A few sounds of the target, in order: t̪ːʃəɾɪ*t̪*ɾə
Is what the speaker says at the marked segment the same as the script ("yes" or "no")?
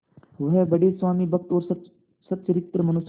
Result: yes